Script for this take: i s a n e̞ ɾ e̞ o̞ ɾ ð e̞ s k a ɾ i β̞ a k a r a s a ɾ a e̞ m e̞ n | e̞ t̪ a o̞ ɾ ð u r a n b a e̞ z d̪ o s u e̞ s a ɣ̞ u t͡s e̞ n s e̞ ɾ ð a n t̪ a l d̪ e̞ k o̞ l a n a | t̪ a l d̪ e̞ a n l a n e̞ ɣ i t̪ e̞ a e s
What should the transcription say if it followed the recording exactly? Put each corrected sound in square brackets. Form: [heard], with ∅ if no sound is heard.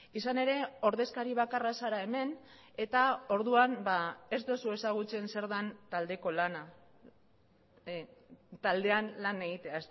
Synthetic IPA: i s a n e̞ ɾ e̞ o̞ ɾ ð e̞ s k a ɾ i β̞ a k a r a s a ɾ a e̞ m e̞ n | e̞ t̪ a o̞ ɾ ð u [∅] a n b a e̞ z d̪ o s u e̞ s a ɣ̞ u t͡s e̞ n s e̞ ɾ ð a n t̪ a l d̪ e̞ k o̞ l a n a | t̪ a l d̪ e̞ a n l a n e̞ ɣ i t̪ e̞ a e s